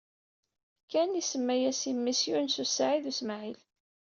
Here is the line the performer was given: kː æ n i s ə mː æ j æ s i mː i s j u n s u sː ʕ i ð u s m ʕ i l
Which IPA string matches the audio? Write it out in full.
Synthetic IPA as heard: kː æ n i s ə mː æ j æ s i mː i s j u n s u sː ʕ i ð u s m ʕ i l